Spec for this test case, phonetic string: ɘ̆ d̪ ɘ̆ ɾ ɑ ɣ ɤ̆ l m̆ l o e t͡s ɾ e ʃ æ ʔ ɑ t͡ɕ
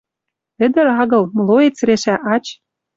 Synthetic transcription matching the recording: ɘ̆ d̪ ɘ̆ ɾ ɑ ɣ ɤ̆ l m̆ l o e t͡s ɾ e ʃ æ ʔ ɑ t͡ɕ